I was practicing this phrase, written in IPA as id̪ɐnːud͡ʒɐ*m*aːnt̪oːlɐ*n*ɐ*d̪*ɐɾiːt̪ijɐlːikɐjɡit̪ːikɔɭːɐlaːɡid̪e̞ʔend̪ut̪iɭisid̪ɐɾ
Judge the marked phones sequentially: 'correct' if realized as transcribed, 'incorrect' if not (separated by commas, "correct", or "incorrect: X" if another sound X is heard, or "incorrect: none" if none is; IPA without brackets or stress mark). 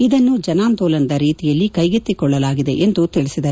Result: incorrect: n, correct, correct